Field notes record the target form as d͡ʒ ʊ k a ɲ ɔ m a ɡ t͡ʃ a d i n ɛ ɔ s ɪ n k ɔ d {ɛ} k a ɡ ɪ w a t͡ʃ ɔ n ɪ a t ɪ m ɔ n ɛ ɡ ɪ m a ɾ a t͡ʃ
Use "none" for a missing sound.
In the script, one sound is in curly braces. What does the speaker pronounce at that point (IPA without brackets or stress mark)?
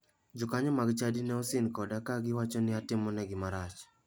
a